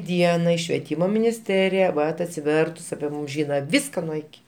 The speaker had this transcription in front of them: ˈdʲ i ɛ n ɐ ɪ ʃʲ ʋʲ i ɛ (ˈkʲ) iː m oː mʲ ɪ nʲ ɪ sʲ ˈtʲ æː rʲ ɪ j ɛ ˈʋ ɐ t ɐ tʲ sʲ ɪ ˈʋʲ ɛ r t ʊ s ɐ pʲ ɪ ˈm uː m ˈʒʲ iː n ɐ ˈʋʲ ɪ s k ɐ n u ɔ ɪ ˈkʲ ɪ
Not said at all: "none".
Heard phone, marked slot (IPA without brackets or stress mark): tʲ